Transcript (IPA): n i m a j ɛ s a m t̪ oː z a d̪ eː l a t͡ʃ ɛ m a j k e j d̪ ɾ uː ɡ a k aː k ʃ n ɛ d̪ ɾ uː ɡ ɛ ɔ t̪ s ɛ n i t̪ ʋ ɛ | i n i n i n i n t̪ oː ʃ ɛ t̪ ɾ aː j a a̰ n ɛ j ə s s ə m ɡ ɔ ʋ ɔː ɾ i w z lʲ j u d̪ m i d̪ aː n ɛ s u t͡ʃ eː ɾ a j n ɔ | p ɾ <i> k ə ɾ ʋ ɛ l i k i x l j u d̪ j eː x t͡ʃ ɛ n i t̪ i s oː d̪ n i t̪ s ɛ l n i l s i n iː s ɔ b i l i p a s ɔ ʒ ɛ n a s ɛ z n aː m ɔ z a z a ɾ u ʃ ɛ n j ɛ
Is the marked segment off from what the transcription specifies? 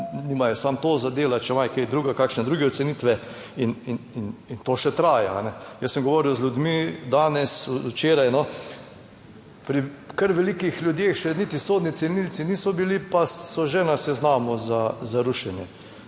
no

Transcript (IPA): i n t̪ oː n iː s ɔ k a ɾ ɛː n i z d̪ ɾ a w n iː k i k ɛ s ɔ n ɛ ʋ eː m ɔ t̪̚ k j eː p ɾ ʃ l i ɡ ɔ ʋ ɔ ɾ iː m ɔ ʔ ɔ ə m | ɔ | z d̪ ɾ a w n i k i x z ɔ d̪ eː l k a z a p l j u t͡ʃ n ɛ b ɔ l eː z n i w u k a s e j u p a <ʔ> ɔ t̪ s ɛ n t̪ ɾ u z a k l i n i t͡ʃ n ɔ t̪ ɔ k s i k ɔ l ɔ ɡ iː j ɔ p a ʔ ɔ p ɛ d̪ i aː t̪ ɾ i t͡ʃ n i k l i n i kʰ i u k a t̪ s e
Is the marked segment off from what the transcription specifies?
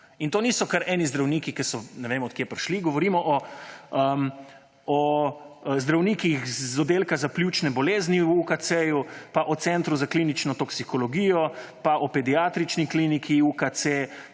no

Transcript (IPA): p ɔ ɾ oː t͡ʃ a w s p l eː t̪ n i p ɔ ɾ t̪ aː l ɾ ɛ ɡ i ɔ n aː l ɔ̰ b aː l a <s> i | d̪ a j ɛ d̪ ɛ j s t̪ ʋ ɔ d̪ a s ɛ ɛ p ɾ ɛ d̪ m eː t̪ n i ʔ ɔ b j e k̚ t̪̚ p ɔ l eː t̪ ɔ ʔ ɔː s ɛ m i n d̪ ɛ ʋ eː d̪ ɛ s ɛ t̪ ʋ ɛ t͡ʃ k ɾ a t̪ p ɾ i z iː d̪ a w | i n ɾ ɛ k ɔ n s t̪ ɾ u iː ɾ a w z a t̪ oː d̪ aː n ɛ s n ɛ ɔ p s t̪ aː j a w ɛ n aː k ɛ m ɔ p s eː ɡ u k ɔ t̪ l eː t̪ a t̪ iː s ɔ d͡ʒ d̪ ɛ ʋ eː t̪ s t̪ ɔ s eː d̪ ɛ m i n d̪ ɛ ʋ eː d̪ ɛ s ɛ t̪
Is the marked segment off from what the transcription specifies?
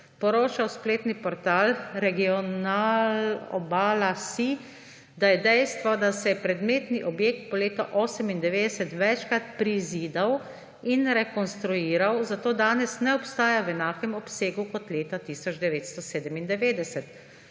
no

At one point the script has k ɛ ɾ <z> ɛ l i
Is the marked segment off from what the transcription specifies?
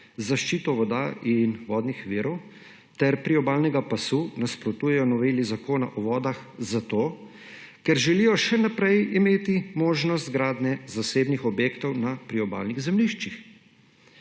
yes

